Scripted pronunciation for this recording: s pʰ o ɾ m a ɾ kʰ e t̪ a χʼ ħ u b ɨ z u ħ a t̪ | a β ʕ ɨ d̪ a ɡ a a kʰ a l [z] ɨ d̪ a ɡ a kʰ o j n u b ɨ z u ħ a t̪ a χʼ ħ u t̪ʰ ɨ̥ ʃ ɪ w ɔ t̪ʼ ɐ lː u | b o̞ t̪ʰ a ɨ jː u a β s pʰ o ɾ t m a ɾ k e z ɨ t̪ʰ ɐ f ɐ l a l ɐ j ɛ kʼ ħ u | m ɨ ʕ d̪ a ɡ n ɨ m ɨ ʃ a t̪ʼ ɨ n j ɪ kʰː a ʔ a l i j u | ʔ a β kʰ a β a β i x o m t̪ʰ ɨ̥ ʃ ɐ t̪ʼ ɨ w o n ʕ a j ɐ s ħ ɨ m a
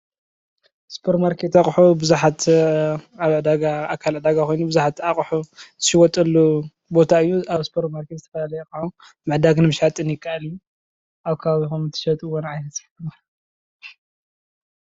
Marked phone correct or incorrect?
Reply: incorrect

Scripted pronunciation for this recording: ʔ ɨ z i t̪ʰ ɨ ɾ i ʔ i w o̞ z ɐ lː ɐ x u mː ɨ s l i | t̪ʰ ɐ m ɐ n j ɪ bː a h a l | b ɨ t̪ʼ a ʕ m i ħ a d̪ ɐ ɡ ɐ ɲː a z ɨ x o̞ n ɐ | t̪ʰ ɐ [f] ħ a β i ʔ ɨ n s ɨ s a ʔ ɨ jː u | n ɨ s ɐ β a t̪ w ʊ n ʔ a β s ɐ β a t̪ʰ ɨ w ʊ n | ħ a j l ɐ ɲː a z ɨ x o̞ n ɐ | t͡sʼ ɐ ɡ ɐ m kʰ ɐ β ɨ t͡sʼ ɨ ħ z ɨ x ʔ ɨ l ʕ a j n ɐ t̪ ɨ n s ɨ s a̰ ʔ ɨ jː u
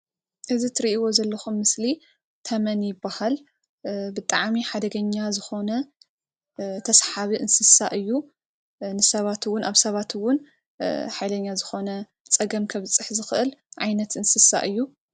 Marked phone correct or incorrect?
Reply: incorrect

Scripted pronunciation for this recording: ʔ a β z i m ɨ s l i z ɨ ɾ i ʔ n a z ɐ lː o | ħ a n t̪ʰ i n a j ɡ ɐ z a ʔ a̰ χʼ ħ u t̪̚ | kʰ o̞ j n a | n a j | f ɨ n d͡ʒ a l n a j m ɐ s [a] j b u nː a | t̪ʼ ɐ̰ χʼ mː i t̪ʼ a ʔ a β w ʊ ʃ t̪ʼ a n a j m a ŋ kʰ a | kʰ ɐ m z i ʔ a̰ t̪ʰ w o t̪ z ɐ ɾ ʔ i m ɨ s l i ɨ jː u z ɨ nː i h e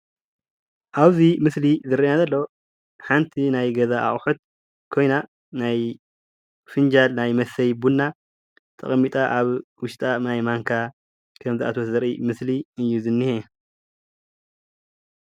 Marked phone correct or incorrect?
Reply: incorrect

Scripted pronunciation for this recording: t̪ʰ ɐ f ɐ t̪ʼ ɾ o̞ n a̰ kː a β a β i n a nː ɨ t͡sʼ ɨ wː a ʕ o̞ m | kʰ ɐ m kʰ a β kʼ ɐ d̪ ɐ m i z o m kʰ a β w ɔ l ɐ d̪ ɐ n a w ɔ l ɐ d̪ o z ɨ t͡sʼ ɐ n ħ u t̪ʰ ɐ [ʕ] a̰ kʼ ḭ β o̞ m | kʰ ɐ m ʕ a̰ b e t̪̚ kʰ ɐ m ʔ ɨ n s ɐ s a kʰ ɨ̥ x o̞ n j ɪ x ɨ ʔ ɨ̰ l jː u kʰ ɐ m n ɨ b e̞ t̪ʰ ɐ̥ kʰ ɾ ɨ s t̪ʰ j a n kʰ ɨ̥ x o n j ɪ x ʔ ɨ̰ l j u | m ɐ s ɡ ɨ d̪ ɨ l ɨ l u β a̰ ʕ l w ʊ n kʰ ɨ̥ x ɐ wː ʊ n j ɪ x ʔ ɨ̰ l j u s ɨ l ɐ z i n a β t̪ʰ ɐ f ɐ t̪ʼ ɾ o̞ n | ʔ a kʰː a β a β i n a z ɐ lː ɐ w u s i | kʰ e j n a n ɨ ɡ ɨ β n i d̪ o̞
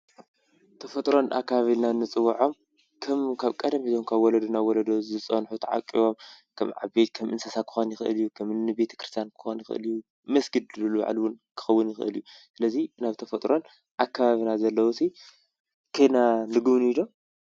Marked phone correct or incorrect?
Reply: correct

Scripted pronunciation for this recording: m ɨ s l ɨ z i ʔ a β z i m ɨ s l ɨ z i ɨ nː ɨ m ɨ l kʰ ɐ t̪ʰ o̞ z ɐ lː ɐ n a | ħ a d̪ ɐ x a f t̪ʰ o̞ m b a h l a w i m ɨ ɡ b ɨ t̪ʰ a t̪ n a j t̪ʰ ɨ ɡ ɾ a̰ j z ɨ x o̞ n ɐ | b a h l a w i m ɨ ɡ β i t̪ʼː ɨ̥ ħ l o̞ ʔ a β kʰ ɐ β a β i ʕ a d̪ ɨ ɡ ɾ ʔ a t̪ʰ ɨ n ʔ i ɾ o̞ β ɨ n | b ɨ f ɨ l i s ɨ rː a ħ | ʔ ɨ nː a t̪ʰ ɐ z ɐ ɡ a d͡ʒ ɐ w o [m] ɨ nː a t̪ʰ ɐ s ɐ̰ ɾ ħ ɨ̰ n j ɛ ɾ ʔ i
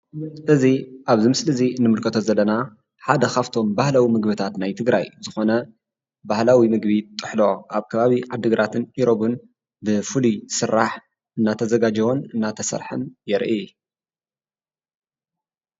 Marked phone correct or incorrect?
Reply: incorrect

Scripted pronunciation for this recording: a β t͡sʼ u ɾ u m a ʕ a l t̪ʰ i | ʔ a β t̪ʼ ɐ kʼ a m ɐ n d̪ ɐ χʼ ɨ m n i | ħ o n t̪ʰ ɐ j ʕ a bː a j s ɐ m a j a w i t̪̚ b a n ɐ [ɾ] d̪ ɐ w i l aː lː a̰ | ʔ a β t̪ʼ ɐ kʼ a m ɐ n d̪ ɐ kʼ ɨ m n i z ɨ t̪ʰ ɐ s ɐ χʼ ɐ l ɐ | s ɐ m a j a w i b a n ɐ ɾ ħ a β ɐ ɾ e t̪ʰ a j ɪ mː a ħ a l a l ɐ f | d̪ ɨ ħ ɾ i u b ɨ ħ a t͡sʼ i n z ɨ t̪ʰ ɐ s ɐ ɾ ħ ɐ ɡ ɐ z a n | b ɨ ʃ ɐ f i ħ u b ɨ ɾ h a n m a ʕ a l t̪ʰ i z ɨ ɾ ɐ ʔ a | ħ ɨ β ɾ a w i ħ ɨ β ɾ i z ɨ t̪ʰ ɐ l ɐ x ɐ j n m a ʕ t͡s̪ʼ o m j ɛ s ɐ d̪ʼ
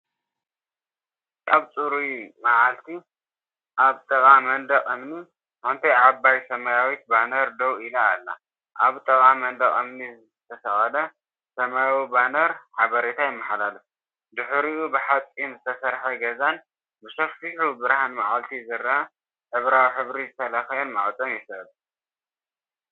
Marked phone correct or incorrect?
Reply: correct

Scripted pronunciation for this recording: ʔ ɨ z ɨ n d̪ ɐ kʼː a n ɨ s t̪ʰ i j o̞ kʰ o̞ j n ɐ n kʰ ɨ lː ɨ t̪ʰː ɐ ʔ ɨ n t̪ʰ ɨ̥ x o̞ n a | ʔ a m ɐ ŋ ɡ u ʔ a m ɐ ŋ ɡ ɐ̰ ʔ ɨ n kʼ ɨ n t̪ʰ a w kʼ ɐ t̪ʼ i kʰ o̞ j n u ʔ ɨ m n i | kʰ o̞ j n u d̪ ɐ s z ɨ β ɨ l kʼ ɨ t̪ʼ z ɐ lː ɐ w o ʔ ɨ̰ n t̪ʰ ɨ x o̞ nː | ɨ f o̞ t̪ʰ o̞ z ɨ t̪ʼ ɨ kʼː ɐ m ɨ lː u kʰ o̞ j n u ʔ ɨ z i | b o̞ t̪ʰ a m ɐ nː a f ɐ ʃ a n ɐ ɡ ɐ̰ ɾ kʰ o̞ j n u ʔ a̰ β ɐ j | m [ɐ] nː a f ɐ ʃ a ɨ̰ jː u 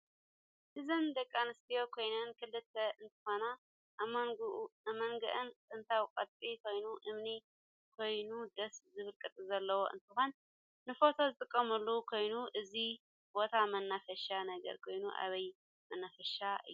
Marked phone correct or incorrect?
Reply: correct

